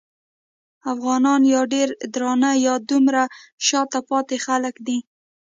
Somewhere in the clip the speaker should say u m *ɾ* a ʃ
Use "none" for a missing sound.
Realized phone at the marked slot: ɾ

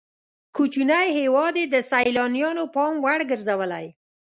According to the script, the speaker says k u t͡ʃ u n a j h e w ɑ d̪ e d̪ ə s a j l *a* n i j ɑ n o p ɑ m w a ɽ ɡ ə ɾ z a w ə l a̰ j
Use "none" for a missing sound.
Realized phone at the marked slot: ɑ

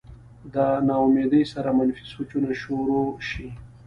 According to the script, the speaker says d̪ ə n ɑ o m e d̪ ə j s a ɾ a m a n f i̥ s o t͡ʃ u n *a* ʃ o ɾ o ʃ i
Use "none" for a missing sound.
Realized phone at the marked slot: a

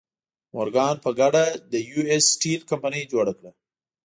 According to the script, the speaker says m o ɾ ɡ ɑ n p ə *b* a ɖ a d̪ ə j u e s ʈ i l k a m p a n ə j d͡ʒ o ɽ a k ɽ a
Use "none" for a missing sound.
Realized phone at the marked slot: ɡ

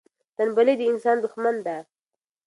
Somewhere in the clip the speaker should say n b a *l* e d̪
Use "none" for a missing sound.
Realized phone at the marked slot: l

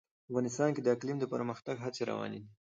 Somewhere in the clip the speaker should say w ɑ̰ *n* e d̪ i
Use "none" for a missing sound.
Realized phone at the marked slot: n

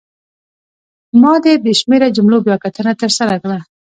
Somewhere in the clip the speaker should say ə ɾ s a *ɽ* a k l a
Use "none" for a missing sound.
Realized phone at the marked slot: ɾ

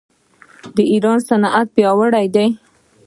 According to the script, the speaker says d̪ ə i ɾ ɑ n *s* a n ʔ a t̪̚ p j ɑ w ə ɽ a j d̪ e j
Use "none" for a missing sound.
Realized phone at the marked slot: s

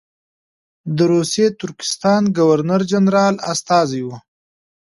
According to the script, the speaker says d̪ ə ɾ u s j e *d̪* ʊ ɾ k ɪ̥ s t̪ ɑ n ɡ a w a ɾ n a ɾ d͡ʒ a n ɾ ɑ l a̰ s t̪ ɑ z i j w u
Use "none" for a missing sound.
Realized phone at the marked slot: t̪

